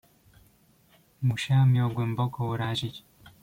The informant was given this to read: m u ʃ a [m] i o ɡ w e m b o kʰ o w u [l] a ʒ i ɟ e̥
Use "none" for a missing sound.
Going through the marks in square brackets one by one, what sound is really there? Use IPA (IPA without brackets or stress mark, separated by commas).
m, ɾ